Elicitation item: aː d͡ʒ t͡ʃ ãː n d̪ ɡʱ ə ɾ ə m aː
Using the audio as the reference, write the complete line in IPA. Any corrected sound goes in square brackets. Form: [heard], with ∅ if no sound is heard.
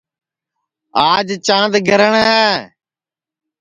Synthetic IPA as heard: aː d͡ʒ t͡ʃ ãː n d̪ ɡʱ ə ɾ ə [ɳ] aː